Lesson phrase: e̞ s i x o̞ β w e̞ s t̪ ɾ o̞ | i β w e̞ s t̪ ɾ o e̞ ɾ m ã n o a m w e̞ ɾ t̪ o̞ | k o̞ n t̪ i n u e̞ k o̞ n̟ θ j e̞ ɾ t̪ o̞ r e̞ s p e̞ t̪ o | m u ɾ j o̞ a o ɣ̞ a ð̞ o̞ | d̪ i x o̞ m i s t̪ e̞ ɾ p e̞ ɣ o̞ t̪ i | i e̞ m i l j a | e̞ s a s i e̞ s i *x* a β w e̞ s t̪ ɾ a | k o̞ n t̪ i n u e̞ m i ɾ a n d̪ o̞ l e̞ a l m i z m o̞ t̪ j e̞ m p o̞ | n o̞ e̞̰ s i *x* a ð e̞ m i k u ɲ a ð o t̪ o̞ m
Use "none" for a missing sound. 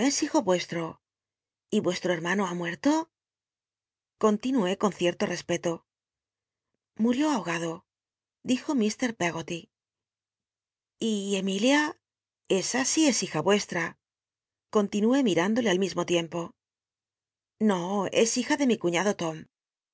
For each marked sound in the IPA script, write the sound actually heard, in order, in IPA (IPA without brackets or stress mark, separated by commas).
x, x